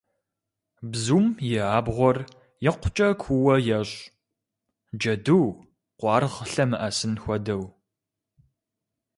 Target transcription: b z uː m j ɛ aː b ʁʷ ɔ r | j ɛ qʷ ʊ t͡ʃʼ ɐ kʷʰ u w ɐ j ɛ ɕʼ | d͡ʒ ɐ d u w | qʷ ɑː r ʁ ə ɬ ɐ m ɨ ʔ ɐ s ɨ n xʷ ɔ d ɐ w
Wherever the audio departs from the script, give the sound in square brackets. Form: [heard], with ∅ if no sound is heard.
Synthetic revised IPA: b z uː m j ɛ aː b ʁʷ ɔ r | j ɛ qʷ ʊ t͡ʃʼ ɐ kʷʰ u w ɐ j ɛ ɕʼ | d͡ʒ ɐ d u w | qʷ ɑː r ʁ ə ɬ ɐ m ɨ ʔ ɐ s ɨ n xʷ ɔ d ɐ w